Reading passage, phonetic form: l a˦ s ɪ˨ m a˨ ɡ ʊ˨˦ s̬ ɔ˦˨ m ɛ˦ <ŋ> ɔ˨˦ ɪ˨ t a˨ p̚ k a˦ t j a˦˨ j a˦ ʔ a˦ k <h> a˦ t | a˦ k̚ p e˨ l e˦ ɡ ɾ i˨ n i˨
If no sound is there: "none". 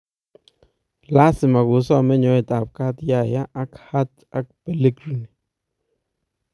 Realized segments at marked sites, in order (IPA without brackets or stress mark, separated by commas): ɲ, h